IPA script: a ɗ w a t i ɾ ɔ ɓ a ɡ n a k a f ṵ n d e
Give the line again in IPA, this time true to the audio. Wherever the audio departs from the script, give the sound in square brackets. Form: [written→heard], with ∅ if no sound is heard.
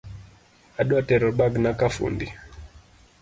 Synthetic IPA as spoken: a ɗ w a t [i→ɛ] ɾ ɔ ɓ a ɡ n a k a f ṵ n d [e→i]